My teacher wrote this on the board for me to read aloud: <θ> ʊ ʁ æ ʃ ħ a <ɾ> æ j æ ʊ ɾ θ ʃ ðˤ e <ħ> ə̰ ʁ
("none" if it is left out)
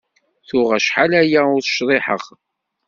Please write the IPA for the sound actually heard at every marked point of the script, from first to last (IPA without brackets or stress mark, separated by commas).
θ, l, ħ